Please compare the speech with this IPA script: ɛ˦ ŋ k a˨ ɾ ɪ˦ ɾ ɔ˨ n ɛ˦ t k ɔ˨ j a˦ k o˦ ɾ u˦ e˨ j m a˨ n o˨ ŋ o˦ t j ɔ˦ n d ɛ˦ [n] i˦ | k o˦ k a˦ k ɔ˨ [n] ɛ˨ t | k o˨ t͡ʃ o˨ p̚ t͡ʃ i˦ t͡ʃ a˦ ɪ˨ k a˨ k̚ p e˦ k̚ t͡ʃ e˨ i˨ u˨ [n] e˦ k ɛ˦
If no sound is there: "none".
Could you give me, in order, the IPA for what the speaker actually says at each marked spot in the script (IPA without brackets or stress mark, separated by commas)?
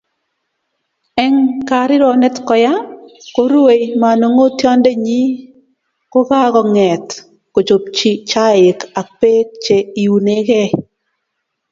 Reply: ɲ, ŋ, n